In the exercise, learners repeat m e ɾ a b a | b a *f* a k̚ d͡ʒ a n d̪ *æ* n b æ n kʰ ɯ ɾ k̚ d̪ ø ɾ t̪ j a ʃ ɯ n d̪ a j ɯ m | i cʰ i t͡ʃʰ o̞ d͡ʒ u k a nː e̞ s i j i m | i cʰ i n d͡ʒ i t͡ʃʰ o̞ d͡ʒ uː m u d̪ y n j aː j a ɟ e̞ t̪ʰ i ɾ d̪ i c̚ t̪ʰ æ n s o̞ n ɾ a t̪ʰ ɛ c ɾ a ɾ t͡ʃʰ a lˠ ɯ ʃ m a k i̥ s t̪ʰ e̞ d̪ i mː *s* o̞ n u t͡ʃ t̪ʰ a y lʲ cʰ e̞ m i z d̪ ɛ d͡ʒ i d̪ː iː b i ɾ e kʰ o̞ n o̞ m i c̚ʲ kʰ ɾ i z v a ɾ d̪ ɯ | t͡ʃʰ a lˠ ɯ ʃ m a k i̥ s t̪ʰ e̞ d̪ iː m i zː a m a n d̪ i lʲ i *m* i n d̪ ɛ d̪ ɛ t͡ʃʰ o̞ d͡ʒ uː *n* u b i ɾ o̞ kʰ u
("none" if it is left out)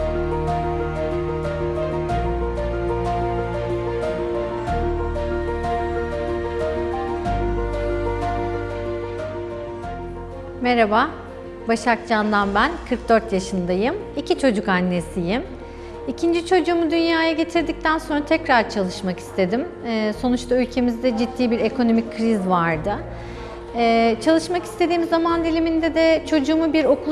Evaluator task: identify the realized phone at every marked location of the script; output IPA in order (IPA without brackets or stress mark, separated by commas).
ʃ, a, s, m, m